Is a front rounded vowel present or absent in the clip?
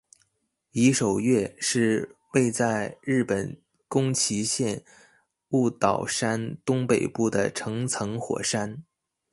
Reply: absent